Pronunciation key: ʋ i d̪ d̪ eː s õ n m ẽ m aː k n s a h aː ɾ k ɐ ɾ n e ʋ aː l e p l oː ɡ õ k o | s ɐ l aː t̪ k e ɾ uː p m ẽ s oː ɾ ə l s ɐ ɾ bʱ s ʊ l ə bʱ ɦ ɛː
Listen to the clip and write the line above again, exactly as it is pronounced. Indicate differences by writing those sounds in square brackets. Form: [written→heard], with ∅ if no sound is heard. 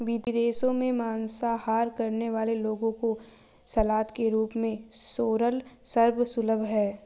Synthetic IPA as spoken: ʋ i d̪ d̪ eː s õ [n→∅] m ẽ m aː [k→∅] n s a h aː ɾ k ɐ ɾ n e ʋ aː l e [p→∅] l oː ɡ õ k o | s ɐ l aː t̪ k e ɾ uː p m ẽ s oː ɾ ə l s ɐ ɾ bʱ s ʊ l ə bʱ ɦ ɛː